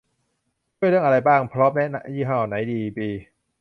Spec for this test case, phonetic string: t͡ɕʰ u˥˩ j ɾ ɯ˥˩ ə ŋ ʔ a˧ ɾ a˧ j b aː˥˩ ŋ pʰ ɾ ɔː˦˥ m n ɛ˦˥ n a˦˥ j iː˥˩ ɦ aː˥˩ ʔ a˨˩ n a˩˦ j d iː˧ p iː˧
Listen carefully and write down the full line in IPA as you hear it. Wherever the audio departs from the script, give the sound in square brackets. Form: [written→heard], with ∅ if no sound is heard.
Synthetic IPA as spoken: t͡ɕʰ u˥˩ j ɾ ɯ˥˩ ə ŋ ʔ a˧ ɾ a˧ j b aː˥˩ ŋ pʰ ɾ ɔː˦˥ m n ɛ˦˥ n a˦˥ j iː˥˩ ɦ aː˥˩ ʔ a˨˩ n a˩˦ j d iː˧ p iː˧